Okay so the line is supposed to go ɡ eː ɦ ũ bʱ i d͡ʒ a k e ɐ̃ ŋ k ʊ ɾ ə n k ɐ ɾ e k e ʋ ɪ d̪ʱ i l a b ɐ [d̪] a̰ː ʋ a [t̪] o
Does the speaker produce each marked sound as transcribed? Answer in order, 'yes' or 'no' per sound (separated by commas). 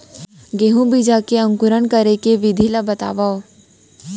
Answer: no, no